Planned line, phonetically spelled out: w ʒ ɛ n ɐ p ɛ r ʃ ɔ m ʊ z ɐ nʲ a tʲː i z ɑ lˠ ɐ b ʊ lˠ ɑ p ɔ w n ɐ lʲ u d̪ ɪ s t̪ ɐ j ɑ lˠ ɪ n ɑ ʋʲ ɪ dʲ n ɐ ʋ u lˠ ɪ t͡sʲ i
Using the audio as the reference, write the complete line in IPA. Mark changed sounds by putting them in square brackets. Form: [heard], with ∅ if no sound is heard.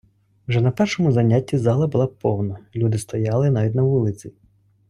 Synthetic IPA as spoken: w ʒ ɛ n ɐ p ɛ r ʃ ɔ m ʊ z ɐ nʲ a tʲː i z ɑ lˠ ɐ b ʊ lˠ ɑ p ɔ w n ɐ lʲ u d̪ ɪ s t̪ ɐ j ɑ lˠ ɪ n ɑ ʋʲ [i] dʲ n ɐ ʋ u lˠ ɪ t͡sʲ i

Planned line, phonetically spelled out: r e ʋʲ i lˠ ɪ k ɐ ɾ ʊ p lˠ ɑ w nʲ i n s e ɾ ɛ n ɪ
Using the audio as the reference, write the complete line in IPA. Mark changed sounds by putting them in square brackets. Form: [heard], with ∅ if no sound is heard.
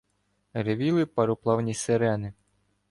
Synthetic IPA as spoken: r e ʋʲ i lˠ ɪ [p] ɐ ɾ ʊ p lˠ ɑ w nʲ i [∅] s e ɾ ɛ n ɪ

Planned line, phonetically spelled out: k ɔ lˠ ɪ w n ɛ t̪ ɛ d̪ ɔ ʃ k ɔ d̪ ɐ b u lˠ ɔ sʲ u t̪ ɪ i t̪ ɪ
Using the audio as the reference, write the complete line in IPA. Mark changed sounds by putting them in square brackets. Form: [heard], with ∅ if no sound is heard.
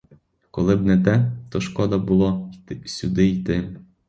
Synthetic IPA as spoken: k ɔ lˠ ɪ [b] n ɛ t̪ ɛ [t̪] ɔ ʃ k ɔ d̪ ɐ b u lˠ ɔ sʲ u [d̪] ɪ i t̪ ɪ

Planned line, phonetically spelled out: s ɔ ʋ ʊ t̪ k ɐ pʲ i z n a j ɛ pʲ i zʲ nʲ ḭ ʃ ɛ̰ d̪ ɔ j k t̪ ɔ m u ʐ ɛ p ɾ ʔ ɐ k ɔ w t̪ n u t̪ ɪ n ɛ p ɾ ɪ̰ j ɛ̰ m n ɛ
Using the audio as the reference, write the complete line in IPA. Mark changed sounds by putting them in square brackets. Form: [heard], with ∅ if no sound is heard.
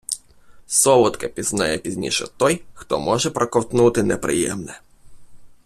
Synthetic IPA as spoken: s ɔ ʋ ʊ t̪ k ɐ pʲ i z n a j ɛ pʲ i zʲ nʲ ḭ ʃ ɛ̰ [t̪] ɔ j [x] t̪ ɔ m [ɔ] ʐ ɛ p ɾ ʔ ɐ k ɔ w t̪ n u t̪ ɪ n ɛ p ɾ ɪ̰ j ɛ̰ m n ɛ

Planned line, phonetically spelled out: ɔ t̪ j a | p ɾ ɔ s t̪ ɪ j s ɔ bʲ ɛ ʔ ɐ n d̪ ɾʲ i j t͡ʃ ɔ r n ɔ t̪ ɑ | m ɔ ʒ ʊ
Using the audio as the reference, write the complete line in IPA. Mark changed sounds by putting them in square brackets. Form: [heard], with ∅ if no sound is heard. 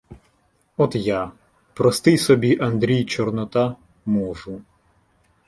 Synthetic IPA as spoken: ɔ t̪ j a | p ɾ ɔ s t̪ ɪ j s ɔ bʲ [i] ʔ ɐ n d̪ ɾʲ i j t͡ʃ ɔ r n ɔ t̪ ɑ | m ɔ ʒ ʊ

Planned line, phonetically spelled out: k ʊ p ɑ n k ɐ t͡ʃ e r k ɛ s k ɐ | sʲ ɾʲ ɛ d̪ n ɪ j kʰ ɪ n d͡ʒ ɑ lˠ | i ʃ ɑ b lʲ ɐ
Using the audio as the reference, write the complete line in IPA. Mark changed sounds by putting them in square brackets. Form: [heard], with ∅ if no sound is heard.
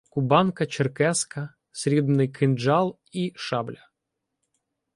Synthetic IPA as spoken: k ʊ [b] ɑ n k ɐ t͡ʃ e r k ɛ s k ɐ | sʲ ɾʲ [i] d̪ n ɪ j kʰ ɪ n d͡ʒ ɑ lˠ | i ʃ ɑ b lʲ ɐ

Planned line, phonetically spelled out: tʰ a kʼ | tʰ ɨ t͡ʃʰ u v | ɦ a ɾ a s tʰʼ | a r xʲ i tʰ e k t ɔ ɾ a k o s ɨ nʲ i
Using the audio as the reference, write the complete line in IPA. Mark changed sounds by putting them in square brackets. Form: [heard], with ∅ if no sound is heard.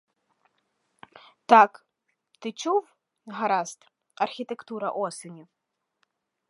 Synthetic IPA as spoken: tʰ a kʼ | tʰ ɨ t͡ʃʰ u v | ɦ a ɾ a s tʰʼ | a r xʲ i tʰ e k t [u] ɾ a [ʔ] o s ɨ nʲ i

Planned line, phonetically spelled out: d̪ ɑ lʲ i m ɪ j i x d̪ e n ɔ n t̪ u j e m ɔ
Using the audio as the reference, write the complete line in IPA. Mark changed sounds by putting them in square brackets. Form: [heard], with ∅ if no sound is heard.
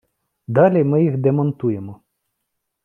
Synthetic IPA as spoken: d̪ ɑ lʲ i m ɪ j i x d̪ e [m] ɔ n t̪ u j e m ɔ

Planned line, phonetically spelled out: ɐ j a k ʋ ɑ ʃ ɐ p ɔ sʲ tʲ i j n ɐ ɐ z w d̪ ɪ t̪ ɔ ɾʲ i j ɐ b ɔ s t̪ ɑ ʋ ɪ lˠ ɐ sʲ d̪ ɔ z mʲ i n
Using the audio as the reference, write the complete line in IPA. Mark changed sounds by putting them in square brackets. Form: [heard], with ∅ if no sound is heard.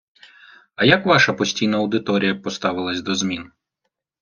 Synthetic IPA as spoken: ɐ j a k ʋ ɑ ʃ ɐ p ɔ sʲ tʲ i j n ɐ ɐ [∅] w d̪ ɪ t̪ ɔ ɾʲ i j ɐ [p] ɔ s t̪ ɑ ʋ ɪ lˠ ɐ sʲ d̪ ɔ z mʲ i n

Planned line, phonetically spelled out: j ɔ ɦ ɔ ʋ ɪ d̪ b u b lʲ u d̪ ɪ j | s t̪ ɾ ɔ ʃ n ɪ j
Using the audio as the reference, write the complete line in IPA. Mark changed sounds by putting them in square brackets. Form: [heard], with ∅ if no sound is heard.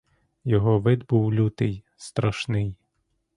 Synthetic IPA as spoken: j ɔ ɦ ɔ ʋ ɪ d̪ b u [w] lʲ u [t̪] ɪ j | s t̪ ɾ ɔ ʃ n ɪ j

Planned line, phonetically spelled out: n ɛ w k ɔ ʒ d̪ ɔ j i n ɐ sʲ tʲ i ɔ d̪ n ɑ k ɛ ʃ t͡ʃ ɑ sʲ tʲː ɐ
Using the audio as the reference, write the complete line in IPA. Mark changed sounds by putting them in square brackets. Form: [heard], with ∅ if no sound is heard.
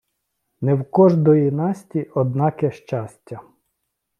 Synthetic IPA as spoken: n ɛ w k ɔ ʒ d̪ ɔ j i n [ɑ] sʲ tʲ i ɔ d̪ n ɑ k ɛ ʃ t͡ʃ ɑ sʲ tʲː ɐ

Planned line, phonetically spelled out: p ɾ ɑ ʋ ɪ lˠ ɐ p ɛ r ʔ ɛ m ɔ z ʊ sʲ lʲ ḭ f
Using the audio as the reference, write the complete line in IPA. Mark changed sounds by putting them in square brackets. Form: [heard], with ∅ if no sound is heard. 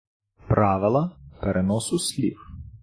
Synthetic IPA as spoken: p ɾ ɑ ʋ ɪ lˠ ɐ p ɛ [ɾ] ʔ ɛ [n] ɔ [s] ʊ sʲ lʲ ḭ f

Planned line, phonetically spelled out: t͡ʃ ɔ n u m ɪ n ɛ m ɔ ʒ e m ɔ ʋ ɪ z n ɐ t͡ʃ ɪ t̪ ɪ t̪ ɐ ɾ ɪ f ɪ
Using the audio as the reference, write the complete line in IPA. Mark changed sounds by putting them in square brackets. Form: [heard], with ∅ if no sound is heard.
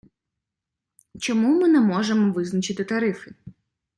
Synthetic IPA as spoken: t͡ʃ ɔ [m] u m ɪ n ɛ m ɔ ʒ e m ɔ ʋ ɪ z n ɐ t͡ʃ ɪ t̪ ɪ t̪ ɐ ɾ ɪ f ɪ

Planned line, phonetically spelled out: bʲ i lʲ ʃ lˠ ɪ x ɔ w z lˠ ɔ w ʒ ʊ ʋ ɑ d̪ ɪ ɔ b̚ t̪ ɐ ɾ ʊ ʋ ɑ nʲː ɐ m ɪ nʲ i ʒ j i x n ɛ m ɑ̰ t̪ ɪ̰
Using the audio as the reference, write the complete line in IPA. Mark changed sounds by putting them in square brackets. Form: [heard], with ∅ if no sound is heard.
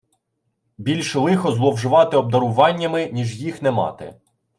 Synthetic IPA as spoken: bʲ i lʲ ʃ lˠ ɪ x ɔ [∅] z lˠ ɔ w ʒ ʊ ʋ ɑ [t̪] ɪ ɔ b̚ [d̪] ɐ ɾ ʊ ʋ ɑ nʲː ɐ m ɪ nʲ i ʒ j i x n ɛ m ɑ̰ t̪ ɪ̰

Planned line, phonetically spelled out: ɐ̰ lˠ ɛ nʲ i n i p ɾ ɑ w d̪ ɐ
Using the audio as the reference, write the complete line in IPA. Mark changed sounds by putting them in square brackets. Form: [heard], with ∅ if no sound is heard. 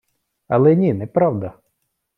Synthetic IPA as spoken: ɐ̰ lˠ ɛ nʲ i n [ɛ] p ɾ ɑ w d̪ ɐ

